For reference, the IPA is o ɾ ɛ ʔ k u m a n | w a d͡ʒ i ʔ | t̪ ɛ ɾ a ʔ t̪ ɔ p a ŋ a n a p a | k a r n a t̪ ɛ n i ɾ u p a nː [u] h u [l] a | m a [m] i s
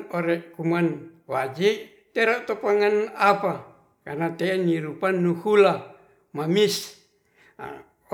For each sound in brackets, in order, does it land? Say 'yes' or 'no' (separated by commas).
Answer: yes, yes, yes